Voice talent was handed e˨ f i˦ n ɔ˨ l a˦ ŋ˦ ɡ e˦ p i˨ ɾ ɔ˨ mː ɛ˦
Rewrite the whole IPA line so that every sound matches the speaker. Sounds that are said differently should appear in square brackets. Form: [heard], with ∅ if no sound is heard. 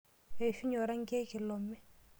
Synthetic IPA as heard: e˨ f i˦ [ɲ] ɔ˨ [ɾ] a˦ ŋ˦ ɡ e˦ [k] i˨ [l] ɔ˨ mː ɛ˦